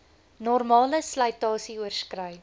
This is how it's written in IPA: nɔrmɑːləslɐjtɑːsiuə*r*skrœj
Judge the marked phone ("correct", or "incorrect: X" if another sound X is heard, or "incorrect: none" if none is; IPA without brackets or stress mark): correct